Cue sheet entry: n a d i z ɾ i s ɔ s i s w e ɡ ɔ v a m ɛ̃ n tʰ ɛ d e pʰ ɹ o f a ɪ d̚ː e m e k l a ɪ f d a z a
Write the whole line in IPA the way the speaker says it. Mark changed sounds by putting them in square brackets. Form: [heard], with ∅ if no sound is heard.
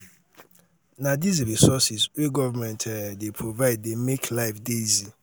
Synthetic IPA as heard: n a d i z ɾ i s ɔ s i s w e ɡ ɔ v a m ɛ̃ n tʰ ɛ d e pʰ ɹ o [v] a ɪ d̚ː e m e k l a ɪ f d [e] z [i]